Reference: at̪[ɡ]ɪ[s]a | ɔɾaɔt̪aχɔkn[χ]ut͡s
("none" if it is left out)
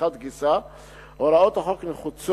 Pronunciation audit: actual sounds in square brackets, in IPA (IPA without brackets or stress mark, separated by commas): ɡ, s, χ